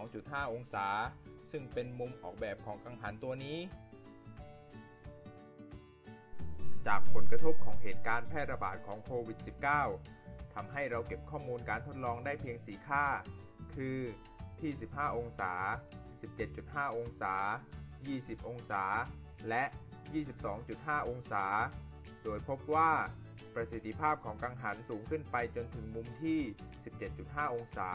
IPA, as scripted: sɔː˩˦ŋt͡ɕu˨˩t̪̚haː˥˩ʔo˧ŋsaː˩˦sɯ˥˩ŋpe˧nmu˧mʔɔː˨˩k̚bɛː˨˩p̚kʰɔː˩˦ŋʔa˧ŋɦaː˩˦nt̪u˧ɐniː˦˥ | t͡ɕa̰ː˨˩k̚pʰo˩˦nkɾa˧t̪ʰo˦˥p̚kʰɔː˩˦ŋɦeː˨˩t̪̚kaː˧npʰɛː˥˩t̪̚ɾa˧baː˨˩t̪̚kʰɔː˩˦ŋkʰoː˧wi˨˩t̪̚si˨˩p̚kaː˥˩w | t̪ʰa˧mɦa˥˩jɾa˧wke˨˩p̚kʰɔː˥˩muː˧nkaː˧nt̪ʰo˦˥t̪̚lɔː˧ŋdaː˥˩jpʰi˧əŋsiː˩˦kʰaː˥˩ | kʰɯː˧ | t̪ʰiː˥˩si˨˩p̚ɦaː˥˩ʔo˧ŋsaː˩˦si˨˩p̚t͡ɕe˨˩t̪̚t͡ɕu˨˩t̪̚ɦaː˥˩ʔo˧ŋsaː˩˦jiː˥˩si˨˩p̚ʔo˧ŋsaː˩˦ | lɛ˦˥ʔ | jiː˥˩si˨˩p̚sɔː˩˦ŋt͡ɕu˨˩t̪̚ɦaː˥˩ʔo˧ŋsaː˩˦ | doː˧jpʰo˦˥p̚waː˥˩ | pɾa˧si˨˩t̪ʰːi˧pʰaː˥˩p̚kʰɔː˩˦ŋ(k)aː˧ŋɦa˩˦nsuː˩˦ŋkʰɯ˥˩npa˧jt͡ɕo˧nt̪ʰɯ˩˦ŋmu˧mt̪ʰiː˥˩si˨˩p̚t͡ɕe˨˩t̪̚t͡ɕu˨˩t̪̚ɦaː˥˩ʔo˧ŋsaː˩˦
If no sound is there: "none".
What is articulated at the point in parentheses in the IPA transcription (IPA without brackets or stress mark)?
k